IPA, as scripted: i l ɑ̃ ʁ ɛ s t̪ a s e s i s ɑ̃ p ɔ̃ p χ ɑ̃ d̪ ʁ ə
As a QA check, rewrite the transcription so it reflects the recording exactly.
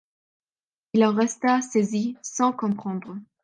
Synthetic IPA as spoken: i l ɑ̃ ʁ ɛ s t̪ a s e z i s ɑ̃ k ɔ̃ p χ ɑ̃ d̪ ʁ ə